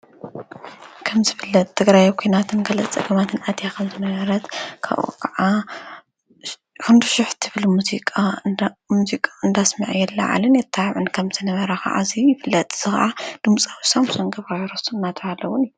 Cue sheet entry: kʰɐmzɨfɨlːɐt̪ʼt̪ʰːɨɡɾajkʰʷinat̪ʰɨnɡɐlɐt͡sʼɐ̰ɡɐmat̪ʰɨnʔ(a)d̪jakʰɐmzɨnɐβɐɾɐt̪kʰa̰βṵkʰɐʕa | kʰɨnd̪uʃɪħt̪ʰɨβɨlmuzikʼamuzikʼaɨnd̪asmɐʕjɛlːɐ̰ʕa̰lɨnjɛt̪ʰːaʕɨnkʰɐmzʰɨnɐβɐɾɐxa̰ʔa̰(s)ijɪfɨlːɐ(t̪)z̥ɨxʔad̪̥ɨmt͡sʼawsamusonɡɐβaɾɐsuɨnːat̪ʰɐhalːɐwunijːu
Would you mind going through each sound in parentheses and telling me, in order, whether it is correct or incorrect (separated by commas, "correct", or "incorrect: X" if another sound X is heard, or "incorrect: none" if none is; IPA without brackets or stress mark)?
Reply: correct, incorrect: z, incorrect: t̪ʼ